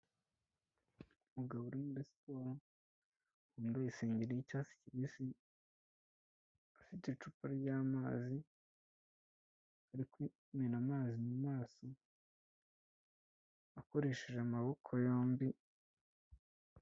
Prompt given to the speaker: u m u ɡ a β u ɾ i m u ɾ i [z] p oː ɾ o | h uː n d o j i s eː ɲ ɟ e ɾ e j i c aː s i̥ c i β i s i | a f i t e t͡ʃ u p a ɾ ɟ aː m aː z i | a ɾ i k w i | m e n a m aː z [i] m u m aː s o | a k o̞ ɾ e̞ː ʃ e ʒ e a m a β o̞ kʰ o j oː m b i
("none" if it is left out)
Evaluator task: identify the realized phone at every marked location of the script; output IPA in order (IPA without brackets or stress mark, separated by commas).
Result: s, i